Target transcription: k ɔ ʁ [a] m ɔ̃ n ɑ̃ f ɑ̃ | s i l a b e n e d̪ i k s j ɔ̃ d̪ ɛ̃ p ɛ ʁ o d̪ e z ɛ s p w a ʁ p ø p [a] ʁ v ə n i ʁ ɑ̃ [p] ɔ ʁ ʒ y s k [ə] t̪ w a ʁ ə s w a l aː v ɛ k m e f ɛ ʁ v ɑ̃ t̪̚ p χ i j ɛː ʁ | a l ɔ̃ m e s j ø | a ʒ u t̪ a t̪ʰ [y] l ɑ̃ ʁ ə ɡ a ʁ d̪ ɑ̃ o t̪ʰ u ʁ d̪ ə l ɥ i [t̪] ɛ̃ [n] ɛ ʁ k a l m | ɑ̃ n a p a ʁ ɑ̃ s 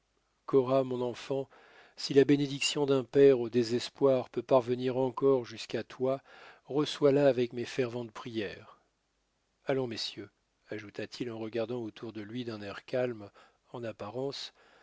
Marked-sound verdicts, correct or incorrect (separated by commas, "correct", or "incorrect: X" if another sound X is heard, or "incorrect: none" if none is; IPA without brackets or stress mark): correct, correct, incorrect: k, incorrect: a, incorrect: i, incorrect: d̪, correct